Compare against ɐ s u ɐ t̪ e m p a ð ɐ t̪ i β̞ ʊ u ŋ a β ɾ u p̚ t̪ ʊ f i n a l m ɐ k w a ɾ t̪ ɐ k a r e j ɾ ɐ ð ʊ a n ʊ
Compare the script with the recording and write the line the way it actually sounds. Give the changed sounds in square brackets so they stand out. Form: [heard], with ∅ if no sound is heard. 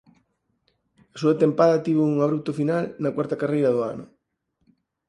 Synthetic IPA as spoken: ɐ s u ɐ t̪ e m p a ð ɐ t̪ i β̞ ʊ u ŋ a β ɾ u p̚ t̪ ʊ f i n a l [n] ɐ k w a ɾ t̪ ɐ k a r e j ɾ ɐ ð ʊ a n ʊ